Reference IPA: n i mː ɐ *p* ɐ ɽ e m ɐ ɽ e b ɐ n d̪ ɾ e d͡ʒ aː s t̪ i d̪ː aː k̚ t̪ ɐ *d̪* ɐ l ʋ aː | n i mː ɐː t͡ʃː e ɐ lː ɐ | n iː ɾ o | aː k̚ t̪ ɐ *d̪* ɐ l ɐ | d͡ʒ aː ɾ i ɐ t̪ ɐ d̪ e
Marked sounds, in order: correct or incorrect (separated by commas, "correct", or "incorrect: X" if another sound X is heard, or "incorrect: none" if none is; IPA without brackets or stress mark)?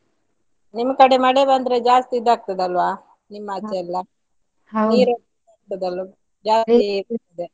incorrect: k, correct, correct